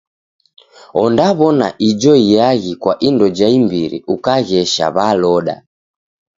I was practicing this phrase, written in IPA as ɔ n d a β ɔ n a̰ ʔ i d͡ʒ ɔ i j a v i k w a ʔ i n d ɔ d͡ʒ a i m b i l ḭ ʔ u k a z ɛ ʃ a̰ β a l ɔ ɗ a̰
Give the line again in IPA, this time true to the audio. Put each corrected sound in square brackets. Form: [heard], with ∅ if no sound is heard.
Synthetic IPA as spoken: ɔ n d a β ɔ n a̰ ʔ i d͡ʒ ɔ i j a [ɣ] i k w a ʔ i n d ɔ d͡ʒ a i m b i [ɾ] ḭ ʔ u k a [ɣ] ɛ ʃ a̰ β a l ɔ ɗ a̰

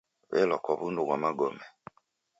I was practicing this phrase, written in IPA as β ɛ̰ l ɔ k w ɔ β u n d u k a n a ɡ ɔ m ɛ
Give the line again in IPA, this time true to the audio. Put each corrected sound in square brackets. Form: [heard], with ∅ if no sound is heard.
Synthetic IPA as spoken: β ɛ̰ l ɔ k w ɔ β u n d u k a [m] a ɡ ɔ m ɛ

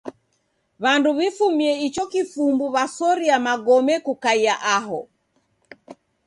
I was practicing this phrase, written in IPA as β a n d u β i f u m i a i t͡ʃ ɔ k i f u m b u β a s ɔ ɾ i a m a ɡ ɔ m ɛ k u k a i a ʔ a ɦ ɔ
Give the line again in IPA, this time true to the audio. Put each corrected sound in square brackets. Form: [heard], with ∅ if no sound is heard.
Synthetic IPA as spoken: β a n d u β i f u m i [ɛ] i t͡ʃ ɔ k i f u m b u β a s ɔ ɾ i a m a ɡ ɔ m ɛ k u k a i a ʔ a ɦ ɔ

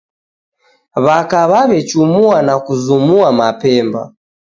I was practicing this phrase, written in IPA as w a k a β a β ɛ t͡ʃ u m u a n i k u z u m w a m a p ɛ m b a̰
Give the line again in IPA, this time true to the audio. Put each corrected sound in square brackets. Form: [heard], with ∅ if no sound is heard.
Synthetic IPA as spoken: [β] a k a β a β ɛ t͡ʃ u m u a n [a] k u z u m [u] a m a p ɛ m b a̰

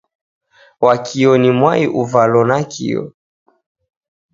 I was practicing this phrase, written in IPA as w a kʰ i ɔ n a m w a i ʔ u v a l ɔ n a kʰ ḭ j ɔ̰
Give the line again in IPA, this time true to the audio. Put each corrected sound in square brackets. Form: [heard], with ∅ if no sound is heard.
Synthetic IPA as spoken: w a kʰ i ɔ n [i] m w a i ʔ u v a l ɔ n a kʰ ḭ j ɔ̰

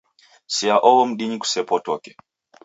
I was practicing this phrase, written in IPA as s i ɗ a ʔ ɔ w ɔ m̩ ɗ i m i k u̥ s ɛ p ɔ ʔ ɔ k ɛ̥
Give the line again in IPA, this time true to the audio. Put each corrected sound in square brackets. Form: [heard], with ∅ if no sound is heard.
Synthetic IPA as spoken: s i [∅] a ʔ ɔ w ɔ m̩ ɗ i [ɲ] i k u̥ s ɛ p ɔ [t] ɔ k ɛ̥

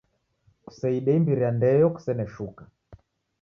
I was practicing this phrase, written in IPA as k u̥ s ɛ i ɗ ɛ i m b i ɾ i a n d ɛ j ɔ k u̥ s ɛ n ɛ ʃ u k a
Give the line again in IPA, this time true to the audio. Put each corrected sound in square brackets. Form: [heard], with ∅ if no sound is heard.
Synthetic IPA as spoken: k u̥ s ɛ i ɗ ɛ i m b i ɾ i a n d ɛ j ɔ k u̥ s ɛ n ɛ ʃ u k a

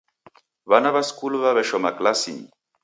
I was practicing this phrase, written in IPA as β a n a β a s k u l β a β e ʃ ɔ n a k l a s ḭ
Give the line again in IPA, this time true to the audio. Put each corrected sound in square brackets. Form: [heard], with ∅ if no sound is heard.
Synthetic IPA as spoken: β a n a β a s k u l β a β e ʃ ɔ [m] a k l a s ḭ

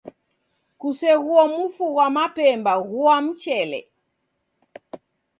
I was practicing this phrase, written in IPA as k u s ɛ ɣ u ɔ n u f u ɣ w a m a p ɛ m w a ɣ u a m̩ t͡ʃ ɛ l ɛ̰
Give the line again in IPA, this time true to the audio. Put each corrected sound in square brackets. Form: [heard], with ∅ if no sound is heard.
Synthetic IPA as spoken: k u s ɛ ɣ u ɔ [m] u f u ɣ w a m a p ɛ m [b] a ɣ u a m̩ t͡ʃ ɛ l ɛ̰

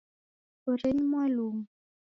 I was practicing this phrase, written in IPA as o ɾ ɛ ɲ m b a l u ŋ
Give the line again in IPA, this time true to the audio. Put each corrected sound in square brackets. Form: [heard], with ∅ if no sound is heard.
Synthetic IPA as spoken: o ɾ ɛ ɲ m [w] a l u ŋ

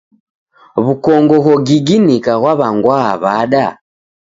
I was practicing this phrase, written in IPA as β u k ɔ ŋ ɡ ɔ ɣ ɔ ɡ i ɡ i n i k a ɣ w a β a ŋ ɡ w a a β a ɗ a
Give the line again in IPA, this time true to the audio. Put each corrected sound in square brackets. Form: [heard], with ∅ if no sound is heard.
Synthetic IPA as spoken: β u k ɔ ŋ ɡ ɔ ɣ ɔ ɡ i ɡ i n i k a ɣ w a β a ŋ ɡ w a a β a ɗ a

